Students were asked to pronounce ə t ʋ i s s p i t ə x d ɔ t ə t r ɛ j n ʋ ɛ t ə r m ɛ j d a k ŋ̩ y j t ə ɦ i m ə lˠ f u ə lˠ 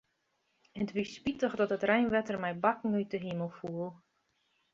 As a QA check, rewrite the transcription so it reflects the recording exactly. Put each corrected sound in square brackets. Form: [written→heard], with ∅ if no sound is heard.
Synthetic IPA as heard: ə t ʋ i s s p i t ə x d ɔ t ə t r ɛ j n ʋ ɛ t ə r m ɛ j [d→b] a k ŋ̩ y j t ə ɦ i m ə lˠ f u ə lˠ

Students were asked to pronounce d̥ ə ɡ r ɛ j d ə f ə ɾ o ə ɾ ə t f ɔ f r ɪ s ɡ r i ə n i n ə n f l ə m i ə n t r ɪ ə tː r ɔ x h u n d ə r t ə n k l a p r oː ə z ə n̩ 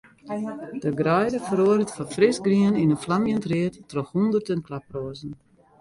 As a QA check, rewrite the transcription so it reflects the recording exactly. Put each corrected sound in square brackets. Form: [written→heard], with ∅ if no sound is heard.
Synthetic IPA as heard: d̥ ə ɡ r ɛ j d ə f ə ɾ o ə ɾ ə t f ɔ f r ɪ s ɡ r i ə n i n ə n f l [ə→a] m [i→j] ə n t r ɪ ə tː r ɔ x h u n d ə r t ə n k l a p r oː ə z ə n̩

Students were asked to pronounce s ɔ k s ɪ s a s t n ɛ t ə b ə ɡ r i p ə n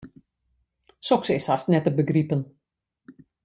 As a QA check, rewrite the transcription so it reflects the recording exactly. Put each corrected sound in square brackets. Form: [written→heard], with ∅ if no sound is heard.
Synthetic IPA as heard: s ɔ k s ɪ s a s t n ɛ t ə b ə ɡ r i p ə n

